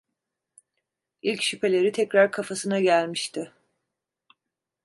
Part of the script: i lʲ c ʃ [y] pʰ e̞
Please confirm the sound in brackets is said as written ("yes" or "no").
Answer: yes